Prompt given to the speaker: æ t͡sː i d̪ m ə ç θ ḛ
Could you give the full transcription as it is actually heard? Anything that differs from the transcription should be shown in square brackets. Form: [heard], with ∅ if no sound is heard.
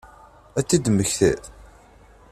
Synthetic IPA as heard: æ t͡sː i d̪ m ə ç θ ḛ